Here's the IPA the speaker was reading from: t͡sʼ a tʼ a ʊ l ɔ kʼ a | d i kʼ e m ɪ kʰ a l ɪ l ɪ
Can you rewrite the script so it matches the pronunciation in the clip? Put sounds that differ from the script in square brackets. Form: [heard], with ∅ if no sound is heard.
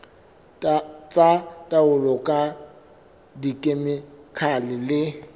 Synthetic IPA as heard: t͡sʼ a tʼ a ʊ l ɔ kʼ a | d i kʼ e m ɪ kʰ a l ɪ l ɪ